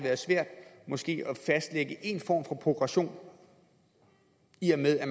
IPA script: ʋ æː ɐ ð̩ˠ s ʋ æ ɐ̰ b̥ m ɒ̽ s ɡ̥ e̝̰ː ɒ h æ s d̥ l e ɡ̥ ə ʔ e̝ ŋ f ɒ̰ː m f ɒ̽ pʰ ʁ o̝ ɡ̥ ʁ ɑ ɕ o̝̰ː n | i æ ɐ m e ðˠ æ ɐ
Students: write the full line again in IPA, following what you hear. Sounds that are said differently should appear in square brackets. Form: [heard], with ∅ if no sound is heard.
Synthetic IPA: ʋ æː ɐ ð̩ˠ s ʋ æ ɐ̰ [d̥] m ɒ̽ s ɡ̥ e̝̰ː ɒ [f] æ s d̥ l e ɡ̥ ə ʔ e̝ [n] f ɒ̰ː m f ɒ̽ pʰ ʁ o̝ ɡ̥ ʁ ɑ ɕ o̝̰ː n | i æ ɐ m e ðˠ æ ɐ